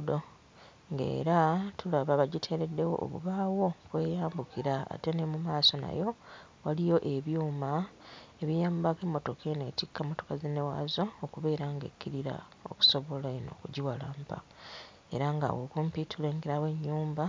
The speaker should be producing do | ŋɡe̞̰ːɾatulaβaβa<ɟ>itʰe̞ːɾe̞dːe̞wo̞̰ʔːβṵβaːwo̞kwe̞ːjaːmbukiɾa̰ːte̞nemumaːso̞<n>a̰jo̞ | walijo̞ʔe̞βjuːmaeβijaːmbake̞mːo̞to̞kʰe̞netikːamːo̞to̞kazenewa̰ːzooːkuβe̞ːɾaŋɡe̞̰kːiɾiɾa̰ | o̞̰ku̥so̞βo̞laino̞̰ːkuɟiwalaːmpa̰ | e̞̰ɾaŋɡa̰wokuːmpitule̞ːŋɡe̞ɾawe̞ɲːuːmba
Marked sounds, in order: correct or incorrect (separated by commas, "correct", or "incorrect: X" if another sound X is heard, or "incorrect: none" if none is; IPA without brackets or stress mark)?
correct, correct